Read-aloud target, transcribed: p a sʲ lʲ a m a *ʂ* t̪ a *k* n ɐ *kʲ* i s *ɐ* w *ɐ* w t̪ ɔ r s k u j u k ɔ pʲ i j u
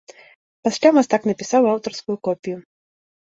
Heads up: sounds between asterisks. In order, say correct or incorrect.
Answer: incorrect, correct, incorrect, incorrect, incorrect

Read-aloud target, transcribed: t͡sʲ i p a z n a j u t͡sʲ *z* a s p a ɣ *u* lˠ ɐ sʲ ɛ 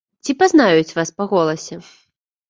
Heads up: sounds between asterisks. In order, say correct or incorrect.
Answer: incorrect, incorrect

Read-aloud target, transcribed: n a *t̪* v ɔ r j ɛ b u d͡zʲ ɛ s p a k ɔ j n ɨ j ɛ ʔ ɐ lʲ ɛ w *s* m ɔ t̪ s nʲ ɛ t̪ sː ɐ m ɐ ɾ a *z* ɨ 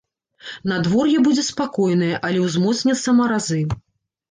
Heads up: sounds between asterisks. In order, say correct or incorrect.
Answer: incorrect, incorrect, correct

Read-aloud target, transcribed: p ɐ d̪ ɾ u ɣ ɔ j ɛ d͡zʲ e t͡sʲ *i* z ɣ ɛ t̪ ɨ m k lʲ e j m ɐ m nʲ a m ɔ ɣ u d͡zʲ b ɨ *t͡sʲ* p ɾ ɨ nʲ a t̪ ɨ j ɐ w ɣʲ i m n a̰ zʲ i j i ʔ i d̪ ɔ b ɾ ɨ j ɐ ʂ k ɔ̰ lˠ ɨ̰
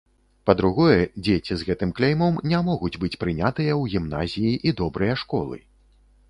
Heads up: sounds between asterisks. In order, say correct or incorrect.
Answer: correct, correct

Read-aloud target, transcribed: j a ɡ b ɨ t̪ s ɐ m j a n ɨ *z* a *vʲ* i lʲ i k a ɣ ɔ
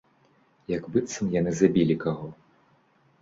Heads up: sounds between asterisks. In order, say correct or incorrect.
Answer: correct, incorrect

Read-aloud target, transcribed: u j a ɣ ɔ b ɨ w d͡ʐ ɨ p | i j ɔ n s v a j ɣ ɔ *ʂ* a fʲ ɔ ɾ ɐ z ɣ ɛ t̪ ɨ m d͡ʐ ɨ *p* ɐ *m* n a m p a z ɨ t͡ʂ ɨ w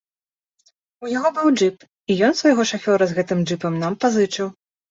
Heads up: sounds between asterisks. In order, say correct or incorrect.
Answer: correct, correct, correct

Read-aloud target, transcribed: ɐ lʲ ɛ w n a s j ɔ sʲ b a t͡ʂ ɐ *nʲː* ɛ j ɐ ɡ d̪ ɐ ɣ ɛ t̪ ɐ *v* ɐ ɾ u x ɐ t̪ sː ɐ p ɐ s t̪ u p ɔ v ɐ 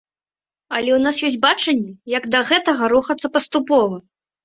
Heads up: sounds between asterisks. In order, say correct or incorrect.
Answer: correct, incorrect

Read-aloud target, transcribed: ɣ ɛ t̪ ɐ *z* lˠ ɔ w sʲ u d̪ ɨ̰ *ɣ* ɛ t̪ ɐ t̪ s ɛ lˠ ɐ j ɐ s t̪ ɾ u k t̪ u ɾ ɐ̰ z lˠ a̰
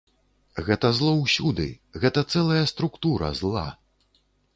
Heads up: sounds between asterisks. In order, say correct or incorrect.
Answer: correct, correct

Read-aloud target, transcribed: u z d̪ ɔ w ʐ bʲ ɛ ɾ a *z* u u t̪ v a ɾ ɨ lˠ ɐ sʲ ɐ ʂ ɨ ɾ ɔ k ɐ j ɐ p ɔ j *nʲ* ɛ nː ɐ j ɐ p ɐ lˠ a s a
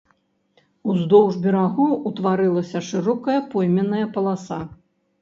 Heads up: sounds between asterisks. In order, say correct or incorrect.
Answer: incorrect, incorrect

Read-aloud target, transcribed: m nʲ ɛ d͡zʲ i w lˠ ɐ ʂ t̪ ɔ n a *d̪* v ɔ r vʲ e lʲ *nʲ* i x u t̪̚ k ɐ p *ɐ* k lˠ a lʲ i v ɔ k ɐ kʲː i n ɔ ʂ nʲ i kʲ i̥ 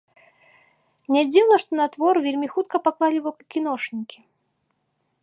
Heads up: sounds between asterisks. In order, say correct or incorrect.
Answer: incorrect, incorrect, incorrect

